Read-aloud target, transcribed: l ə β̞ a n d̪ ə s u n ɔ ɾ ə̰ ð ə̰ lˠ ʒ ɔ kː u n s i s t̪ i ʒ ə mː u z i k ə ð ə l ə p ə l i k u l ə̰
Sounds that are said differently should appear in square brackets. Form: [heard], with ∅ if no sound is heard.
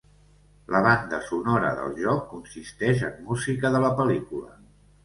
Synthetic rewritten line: l ə β̞ a n d̪ ə s u n ɔ ɾ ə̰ ð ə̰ lˠ ʒ ɔ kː u n s i s t̪ [ɛ] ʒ ə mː u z i k ə ð ə l ə p ə l i k u l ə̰